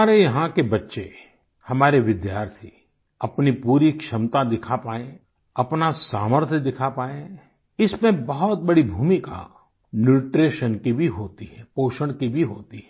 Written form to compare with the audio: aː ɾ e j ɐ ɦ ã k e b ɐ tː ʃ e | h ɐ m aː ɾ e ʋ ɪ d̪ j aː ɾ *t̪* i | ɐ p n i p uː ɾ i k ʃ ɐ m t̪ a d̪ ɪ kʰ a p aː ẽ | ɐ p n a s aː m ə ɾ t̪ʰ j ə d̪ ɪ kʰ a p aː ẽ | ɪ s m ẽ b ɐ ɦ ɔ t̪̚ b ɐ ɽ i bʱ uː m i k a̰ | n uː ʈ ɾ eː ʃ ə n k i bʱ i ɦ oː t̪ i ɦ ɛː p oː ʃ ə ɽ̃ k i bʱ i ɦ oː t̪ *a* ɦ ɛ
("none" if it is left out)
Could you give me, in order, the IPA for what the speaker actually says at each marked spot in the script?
t̪ʰ, i

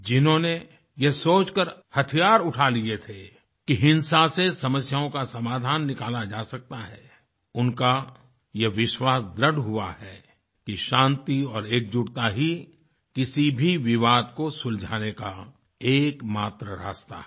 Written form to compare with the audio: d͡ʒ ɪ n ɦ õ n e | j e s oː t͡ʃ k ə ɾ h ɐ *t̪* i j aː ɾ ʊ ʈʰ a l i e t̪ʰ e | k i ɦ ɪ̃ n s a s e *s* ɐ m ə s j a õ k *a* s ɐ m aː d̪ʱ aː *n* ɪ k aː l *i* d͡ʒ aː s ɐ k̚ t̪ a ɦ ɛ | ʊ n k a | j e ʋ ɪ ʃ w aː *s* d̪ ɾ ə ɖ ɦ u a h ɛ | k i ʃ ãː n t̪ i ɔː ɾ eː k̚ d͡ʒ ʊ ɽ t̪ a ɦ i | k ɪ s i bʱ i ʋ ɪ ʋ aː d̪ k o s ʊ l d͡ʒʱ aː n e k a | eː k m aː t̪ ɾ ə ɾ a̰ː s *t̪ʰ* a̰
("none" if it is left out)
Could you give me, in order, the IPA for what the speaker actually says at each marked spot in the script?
t̪ʰ, s, a, nː, a, s, t̪

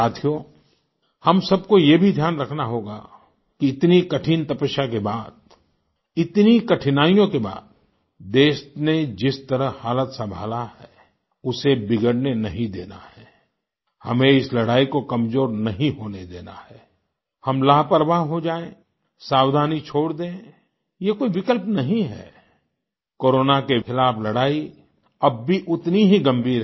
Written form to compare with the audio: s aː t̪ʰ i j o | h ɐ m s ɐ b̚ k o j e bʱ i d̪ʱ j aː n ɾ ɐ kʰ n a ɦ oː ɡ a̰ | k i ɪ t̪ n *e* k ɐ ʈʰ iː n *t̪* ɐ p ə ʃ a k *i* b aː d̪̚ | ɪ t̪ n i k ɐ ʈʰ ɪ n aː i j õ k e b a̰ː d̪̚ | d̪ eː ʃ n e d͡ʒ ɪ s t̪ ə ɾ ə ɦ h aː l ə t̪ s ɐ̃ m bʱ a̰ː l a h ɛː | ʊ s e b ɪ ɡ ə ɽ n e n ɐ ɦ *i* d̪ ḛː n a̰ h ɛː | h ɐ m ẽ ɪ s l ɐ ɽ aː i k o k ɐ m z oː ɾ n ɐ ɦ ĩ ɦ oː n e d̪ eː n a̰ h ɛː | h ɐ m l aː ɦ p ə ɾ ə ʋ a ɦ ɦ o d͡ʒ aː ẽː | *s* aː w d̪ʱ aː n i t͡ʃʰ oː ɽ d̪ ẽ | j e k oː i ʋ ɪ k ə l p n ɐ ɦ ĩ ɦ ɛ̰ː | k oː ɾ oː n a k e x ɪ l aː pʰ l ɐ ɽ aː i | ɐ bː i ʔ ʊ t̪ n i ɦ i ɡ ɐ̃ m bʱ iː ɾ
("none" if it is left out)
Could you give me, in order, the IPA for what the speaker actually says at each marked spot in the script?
i, t̪, e, ĩ, s

